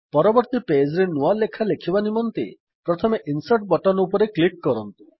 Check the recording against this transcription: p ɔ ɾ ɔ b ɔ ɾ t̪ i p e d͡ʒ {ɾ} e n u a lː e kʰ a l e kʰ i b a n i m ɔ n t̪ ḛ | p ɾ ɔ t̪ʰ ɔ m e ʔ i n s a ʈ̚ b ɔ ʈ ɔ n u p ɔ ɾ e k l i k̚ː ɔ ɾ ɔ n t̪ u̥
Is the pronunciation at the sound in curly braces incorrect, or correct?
correct